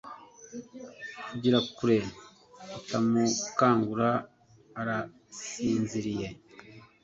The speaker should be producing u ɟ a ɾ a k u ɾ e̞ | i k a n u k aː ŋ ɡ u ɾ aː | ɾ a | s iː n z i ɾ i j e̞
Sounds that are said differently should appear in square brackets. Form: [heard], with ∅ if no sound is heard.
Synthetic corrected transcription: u ɟ [i] ɾ a k u ɾ e̞ | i [t] a [m] u k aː ŋ ɡ u ɾ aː | ɾ a | s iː n z i ɾ i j e̞